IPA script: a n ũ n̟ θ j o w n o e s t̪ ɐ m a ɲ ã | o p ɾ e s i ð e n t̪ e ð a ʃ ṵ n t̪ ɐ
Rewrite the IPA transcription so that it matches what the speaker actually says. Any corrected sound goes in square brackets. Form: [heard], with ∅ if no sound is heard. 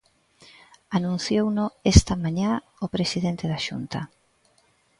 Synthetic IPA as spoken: a n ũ n̟ θ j o w n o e s t̪ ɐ m a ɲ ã | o p ɾ e s i ð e n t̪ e ð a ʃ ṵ n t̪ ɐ